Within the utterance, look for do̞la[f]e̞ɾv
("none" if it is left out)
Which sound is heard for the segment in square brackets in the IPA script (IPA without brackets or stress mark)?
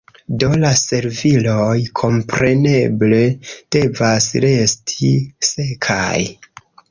s